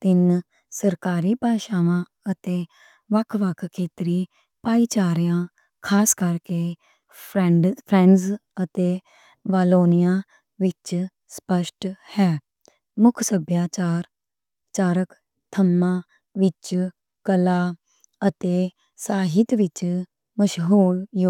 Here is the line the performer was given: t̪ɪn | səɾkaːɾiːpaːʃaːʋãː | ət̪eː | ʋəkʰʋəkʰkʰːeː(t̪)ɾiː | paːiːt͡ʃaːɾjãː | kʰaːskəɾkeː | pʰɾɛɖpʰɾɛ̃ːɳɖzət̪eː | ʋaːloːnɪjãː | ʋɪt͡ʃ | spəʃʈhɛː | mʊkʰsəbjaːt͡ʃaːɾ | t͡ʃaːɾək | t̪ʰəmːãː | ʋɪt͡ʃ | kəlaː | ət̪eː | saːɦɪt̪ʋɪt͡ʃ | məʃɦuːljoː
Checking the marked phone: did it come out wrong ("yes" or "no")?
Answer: no